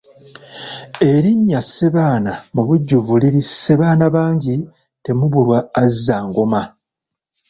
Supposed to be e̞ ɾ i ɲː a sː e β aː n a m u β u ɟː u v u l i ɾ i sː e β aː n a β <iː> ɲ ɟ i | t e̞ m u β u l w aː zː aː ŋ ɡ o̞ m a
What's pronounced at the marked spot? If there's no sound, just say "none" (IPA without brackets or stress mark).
aː